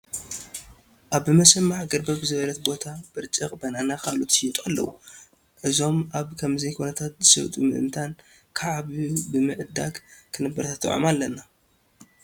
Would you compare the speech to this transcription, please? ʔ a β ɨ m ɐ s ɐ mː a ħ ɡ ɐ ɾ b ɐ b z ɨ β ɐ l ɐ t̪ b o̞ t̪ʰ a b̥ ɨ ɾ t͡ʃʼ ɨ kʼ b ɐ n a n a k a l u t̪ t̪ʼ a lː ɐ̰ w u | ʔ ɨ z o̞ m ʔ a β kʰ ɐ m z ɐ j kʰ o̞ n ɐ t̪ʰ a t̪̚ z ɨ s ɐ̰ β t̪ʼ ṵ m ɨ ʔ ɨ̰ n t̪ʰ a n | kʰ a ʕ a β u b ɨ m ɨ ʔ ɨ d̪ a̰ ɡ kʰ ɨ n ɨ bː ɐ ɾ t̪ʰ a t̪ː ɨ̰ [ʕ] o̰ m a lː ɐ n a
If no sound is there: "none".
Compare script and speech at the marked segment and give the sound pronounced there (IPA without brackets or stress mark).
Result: ʕ